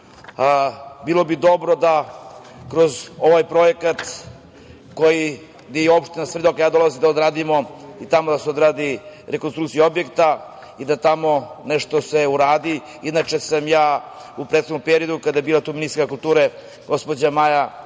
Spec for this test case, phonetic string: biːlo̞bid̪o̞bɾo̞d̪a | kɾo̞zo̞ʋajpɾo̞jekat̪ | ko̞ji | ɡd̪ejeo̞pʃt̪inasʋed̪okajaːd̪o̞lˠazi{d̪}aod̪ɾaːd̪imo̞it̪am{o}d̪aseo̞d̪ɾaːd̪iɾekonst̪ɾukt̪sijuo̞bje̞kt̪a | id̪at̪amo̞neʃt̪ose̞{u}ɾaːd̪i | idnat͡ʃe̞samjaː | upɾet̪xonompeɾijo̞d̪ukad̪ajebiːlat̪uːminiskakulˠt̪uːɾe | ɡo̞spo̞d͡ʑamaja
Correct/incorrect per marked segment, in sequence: correct, correct, correct

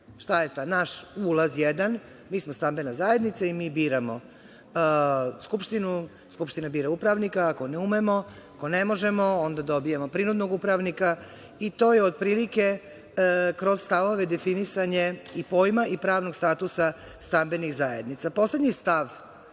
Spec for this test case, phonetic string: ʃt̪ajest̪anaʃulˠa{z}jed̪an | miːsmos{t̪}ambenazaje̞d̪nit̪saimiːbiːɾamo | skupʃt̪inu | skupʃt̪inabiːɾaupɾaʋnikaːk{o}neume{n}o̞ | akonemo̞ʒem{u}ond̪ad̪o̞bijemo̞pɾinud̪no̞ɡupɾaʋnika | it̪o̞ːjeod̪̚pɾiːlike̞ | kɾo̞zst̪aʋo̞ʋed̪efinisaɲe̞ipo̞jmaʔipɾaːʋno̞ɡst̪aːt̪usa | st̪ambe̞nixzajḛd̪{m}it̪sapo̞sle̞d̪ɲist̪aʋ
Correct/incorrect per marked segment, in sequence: correct, correct, correct, incorrect: m, incorrect: o, incorrect: n

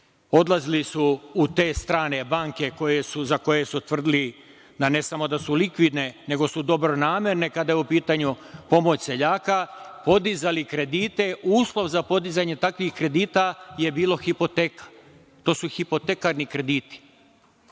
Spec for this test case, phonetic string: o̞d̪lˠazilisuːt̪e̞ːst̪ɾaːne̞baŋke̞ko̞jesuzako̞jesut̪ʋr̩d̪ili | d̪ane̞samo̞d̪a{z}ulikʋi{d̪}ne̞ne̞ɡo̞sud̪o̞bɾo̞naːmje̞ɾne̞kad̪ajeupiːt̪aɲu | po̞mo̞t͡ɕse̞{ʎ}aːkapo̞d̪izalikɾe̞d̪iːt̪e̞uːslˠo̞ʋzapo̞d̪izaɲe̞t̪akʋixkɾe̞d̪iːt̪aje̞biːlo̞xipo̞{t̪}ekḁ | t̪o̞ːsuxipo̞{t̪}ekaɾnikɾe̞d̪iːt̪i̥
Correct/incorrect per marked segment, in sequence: incorrect: s, correct, correct, correct, correct

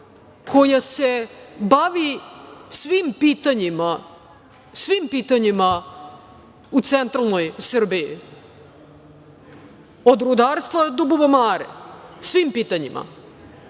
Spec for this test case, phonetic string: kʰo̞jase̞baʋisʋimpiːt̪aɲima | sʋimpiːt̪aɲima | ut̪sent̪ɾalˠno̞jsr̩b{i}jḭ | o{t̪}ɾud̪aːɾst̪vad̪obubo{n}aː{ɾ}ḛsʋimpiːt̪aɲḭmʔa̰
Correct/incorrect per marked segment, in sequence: correct, incorrect: d̪, incorrect: m, correct

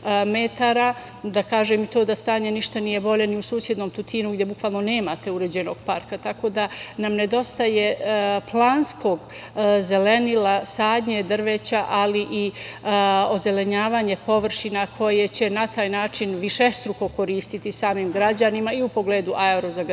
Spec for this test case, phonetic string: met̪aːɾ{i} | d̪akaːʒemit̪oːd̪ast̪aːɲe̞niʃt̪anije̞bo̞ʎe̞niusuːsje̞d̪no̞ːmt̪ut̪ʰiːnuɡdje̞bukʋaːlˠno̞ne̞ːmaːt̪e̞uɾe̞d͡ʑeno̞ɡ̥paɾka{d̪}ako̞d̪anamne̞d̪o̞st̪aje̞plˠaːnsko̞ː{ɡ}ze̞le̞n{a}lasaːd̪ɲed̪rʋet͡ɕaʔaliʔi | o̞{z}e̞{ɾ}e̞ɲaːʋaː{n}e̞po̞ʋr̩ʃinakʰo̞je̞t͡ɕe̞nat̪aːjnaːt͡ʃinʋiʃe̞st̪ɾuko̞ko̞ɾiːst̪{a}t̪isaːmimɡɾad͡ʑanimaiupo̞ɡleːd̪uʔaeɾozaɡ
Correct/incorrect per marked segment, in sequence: incorrect: a, incorrect: t̪, correct, incorrect: i, correct, incorrect: l, incorrect: ɲ, incorrect: i

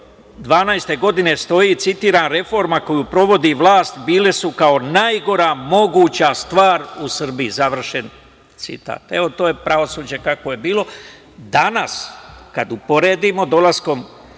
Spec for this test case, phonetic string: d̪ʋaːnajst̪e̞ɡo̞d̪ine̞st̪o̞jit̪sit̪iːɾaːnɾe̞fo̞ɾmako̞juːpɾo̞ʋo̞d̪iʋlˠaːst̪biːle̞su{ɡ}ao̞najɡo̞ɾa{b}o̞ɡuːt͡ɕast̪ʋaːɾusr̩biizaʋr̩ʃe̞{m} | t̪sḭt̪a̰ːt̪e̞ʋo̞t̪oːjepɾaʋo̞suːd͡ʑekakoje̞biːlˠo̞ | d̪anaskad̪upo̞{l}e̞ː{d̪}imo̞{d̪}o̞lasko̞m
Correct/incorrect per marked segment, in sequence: incorrect: k, incorrect: m, incorrect: n, incorrect: ɾ, correct, correct

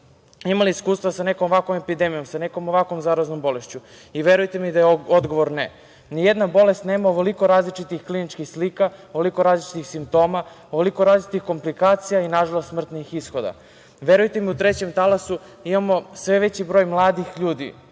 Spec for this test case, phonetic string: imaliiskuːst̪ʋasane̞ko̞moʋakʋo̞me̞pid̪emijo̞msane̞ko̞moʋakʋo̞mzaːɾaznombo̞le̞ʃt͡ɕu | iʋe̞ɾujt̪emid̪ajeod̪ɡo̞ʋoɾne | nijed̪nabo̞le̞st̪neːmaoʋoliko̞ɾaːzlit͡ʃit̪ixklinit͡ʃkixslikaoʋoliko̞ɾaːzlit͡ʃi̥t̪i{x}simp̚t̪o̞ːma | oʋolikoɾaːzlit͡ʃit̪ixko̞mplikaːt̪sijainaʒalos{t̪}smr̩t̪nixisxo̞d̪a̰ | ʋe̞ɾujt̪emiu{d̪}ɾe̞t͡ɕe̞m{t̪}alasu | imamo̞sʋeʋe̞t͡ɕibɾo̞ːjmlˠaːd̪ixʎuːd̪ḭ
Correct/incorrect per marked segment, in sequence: correct, correct, incorrect: t̪, correct

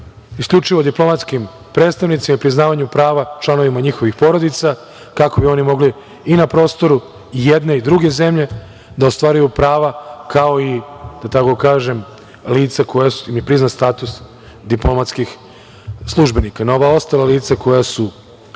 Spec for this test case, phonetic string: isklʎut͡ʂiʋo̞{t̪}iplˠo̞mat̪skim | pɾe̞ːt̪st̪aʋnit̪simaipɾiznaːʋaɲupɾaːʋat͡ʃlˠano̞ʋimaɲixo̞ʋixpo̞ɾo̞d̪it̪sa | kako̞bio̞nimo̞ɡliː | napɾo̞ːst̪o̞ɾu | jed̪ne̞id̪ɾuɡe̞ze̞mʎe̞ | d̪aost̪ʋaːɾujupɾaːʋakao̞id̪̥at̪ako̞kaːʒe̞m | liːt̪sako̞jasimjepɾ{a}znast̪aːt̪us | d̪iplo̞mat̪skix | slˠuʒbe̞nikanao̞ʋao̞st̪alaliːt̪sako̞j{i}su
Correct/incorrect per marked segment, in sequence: incorrect: d̪, incorrect: i, incorrect: a

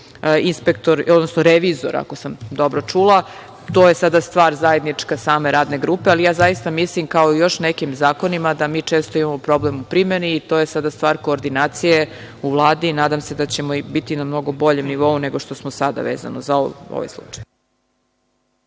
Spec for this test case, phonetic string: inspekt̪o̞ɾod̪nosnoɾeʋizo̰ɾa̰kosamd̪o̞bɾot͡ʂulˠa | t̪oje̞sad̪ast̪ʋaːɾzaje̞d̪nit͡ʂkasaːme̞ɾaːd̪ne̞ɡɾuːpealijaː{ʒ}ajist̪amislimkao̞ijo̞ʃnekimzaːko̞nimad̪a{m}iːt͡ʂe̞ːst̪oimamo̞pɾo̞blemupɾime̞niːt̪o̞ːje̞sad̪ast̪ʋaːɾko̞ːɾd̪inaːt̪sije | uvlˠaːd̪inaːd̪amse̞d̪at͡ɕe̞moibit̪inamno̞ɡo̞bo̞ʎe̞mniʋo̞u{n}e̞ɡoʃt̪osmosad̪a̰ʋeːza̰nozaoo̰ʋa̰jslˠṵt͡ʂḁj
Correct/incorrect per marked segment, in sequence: incorrect: z, correct, correct

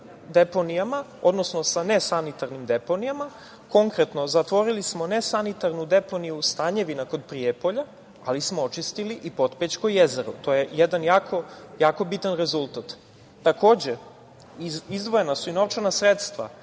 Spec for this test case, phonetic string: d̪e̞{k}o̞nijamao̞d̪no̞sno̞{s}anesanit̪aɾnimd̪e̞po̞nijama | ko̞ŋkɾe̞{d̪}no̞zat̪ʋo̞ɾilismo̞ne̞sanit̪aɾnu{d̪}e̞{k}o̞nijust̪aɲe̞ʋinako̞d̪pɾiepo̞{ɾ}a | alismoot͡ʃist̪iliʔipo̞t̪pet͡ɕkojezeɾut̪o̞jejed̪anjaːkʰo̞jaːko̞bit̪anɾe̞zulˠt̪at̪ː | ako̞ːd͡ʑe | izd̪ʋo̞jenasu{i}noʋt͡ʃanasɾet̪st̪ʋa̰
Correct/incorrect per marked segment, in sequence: incorrect: p, correct, incorrect: t̪, correct, incorrect: p, incorrect: ʎ, correct

